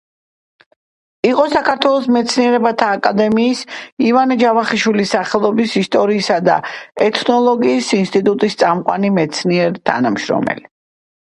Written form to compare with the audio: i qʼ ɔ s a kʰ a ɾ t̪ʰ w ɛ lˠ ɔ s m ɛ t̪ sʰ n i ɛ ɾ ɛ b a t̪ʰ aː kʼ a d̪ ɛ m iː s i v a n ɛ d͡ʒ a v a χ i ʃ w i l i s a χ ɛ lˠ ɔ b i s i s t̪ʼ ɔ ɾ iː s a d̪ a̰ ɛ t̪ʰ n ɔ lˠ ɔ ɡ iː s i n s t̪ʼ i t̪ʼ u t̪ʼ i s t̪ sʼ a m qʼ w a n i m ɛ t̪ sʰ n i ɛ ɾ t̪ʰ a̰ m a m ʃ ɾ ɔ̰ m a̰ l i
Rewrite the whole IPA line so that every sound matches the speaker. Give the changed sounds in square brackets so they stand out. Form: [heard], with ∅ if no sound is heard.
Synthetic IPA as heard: i qʼ ɔ s a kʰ a ɾ t̪ʰ w ɛ lˠ ɔ s m ɛ t̪ sʰ n i ɛ ɾ ɛ b a t̪ʰ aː kʼ a d̪ ɛ m iː s i v a n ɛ d͡ʒ a v a χ i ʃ w i l i s a χ ɛ lˠ ɔ b i s i s t̪ʼ ɔ ɾ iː s a d̪ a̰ ɛ t̪ʰ n ɔ lˠ ɔ ɡ iː s i n s t̪ʼ i t̪ʼ u t̪ʼ i s t̪ sʼ a m qʼ w a n i m ɛ t̪ sʰ n i ɛ ɾ t̪ʰ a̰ [n] a m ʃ ɾ ɔ̰ m [ɛ̰] l i